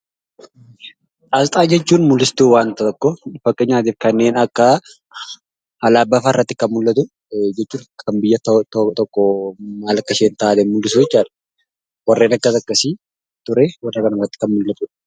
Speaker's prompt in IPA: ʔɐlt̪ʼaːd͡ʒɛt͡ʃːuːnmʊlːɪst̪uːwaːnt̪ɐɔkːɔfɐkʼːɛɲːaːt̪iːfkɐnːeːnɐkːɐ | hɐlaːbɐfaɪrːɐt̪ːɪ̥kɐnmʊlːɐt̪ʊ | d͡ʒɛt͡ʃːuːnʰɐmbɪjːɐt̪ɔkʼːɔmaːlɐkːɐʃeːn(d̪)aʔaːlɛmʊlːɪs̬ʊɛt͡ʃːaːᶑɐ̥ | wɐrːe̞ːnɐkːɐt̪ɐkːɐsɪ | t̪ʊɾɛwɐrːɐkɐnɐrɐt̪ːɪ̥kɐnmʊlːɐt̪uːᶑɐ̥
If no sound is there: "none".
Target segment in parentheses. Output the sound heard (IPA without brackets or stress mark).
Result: t̪